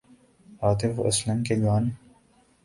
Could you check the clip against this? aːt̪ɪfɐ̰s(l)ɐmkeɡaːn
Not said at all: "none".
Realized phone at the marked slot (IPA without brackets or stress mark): l